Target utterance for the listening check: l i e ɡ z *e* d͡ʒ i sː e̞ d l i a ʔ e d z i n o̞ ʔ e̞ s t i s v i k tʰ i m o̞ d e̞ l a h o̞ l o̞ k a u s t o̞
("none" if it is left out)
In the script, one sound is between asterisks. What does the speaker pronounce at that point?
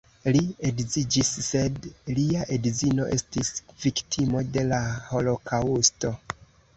i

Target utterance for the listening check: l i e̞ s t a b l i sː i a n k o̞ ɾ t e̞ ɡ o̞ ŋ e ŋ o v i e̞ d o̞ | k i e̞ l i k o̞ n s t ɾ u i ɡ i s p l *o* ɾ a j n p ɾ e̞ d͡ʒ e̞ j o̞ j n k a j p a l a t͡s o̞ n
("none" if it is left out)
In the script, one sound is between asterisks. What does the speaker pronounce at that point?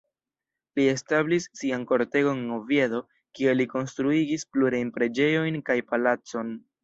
u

